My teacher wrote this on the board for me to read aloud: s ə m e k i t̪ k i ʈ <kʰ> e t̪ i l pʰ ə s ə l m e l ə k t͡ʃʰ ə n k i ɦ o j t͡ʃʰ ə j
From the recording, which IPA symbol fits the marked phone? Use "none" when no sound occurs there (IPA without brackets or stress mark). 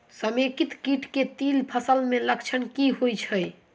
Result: k